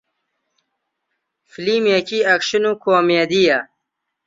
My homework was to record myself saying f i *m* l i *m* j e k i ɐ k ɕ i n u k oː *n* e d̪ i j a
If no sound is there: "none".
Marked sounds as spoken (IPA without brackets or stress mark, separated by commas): none, m, m